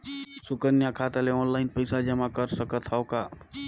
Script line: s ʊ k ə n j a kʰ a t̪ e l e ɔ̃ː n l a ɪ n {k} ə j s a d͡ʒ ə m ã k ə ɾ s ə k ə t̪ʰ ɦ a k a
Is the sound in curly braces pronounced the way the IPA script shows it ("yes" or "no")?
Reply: no